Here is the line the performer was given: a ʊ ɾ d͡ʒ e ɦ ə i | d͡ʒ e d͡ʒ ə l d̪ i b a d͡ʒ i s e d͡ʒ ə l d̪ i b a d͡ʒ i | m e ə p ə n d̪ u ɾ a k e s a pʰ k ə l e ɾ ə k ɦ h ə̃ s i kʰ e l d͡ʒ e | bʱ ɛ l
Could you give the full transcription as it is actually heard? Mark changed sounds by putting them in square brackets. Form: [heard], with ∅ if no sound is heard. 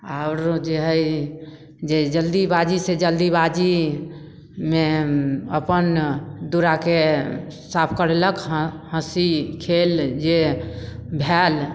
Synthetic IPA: a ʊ ɾ d͡ʒ e ɦ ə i | d͡ʒ e d͡ʒ ə l d̪ i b a d͡ʒ i s e d͡ʒ ə l d̪ i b a d͡ʒ i | m e ə p ə n d̪ u ɾ a k e s a pʰ k ə [ɾ] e [l] ə k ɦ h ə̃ s i kʰ e l d͡ʒ e | bʱ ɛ l